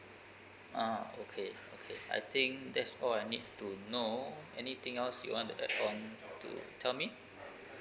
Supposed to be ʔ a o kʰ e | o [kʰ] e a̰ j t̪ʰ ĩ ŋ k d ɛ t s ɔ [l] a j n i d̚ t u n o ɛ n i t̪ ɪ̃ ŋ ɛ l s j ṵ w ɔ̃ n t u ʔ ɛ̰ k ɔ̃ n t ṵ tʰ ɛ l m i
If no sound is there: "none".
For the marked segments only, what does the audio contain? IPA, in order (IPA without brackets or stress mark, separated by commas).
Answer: kʰ, l